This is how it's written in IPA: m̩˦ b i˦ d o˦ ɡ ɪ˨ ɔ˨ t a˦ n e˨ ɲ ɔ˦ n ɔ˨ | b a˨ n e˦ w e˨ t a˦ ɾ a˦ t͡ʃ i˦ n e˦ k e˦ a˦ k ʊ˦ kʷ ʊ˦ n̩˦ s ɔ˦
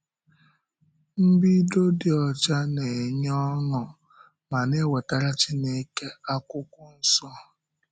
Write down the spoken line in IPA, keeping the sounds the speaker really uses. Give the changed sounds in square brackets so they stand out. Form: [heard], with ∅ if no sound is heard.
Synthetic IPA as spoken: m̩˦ b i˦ d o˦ [d] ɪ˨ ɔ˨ [t͡ʃ] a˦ n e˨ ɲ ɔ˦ n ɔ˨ | [m] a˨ n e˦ w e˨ t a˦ ɾ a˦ t͡ʃ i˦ n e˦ k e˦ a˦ k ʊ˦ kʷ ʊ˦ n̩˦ s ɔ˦